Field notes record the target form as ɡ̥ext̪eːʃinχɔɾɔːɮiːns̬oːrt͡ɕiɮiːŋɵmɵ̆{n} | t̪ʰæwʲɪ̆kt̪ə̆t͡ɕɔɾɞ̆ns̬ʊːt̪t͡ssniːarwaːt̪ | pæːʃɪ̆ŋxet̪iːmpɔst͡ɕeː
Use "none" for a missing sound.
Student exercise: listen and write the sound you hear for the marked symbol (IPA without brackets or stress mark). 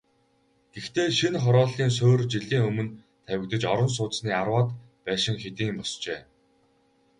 n